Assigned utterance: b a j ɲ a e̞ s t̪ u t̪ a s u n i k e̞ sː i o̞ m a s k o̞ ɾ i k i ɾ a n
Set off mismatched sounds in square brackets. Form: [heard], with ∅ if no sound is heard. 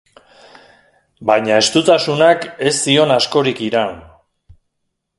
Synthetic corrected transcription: b a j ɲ a e̞ s t̪ u t̪ a s u n [a] k e̞ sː i o̞ [n] a s k o̞ ɾ i k i ɾ a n